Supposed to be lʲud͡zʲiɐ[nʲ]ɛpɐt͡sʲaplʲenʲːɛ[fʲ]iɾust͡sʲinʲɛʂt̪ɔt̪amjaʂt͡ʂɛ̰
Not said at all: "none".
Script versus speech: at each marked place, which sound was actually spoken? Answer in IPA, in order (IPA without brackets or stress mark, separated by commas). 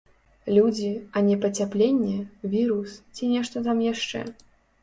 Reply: nʲ, vʲ